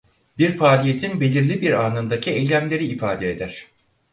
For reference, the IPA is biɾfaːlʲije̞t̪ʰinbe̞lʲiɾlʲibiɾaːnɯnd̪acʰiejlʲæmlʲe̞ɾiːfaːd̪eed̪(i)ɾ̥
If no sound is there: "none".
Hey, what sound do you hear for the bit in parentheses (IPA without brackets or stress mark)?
æ